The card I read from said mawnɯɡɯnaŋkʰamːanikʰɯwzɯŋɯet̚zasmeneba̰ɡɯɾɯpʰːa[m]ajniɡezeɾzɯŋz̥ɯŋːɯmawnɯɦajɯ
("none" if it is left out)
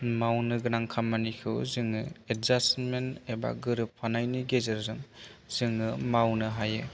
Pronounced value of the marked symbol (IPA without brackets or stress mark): n